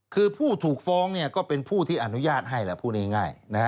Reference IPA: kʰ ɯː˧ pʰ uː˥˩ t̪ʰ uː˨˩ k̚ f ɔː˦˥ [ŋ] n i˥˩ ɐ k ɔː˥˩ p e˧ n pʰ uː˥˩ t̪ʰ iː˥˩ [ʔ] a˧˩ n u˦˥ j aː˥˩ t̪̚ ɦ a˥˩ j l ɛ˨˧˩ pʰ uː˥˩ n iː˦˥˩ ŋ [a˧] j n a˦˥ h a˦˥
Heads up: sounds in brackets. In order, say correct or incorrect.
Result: correct, correct, incorrect

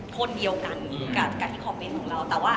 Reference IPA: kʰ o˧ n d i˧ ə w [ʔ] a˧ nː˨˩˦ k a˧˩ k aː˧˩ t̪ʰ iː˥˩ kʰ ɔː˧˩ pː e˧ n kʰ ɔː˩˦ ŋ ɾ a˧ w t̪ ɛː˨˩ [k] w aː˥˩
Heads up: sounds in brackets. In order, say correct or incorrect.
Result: incorrect, incorrect

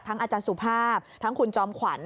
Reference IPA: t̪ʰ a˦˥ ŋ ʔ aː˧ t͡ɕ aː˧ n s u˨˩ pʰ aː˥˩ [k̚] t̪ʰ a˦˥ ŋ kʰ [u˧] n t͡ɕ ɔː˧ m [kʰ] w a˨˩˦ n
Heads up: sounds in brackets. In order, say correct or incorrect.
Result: incorrect, correct, correct

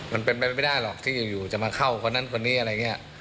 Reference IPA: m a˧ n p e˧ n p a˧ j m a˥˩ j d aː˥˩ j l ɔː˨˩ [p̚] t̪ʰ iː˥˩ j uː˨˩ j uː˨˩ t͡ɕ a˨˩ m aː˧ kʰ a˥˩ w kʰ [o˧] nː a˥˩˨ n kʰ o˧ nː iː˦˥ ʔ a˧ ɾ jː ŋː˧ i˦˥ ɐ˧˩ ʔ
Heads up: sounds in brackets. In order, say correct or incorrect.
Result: incorrect, correct

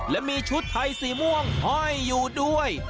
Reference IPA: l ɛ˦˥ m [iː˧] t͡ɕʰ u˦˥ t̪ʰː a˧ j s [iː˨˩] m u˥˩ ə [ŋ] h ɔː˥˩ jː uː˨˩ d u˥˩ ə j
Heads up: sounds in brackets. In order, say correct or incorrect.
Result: correct, correct, correct

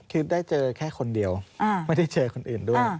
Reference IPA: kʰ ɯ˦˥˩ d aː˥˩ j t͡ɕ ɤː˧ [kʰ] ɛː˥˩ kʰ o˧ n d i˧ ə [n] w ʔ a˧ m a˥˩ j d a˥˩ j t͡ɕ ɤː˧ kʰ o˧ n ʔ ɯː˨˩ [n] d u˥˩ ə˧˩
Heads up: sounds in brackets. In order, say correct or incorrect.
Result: correct, incorrect, correct

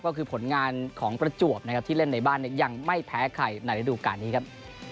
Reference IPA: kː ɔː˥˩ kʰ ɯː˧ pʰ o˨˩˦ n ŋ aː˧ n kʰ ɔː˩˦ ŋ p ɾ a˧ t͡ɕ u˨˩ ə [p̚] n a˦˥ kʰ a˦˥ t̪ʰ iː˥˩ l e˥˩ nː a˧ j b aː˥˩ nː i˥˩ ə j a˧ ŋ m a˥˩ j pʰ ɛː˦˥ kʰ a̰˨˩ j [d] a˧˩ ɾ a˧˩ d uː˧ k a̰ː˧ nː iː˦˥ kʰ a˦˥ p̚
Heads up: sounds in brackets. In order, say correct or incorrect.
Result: correct, incorrect

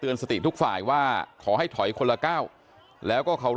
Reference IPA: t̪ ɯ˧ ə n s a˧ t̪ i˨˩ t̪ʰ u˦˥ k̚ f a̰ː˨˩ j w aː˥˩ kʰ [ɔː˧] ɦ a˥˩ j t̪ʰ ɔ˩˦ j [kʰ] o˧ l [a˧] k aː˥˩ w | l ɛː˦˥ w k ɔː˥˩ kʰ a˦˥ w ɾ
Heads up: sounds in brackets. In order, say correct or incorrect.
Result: incorrect, correct, correct

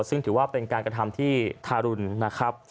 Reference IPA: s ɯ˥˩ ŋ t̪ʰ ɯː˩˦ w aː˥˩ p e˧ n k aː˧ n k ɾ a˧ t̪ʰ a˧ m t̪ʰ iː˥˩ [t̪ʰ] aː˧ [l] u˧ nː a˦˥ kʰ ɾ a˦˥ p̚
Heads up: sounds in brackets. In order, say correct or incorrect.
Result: correct, incorrect

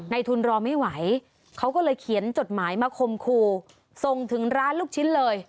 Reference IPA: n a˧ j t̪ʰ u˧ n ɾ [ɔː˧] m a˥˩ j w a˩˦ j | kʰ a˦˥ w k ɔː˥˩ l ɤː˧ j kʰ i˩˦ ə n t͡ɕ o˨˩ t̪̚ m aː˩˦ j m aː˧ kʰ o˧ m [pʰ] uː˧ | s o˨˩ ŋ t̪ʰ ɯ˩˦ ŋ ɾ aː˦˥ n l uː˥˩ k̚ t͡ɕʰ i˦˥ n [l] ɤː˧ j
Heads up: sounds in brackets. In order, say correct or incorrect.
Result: correct, incorrect, correct

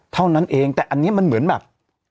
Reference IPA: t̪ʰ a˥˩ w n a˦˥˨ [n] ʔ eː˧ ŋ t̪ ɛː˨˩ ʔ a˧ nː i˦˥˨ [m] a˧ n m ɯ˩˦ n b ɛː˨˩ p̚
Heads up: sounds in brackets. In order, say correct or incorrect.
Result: correct, correct

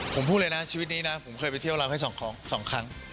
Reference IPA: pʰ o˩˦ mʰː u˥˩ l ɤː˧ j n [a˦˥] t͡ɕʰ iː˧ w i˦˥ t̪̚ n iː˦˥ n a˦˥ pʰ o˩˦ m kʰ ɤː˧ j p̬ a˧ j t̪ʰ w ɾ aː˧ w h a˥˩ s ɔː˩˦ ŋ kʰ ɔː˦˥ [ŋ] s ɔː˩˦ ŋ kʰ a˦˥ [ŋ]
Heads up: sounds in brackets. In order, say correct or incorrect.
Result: correct, correct, correct

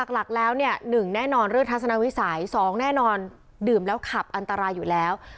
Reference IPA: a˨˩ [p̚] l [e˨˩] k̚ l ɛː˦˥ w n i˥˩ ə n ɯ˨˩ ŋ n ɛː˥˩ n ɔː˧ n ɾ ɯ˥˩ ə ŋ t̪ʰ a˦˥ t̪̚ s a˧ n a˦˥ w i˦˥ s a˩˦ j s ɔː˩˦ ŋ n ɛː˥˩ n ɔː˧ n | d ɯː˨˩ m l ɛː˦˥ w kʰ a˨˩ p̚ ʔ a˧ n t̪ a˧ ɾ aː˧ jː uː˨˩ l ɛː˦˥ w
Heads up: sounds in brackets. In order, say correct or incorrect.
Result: incorrect, incorrect

